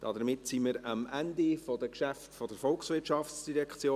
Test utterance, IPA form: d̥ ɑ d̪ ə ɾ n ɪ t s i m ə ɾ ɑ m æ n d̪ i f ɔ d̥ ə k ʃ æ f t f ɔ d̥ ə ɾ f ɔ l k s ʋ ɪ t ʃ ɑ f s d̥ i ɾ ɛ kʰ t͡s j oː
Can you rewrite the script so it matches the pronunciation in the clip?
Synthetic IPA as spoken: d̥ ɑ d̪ ə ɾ m ɪ t s i m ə ɾ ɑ m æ n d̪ i f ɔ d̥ ə k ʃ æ f t f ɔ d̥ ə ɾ f ɔ l k s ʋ ɪ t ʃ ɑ f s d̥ i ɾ ɛ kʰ t͡s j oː